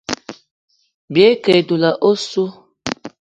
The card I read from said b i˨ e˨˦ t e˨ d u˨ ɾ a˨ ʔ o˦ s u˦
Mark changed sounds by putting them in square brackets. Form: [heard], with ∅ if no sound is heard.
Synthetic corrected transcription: b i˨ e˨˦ [k] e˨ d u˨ [l] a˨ ʔ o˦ s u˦